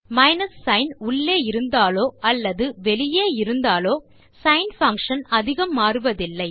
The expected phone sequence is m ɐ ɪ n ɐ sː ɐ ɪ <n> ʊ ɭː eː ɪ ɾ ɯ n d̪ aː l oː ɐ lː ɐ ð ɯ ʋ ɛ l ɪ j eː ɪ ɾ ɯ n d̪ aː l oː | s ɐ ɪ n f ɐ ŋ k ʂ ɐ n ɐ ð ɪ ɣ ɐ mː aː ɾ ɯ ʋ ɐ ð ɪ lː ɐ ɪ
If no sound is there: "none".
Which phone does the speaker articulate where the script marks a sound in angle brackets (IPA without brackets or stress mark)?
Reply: n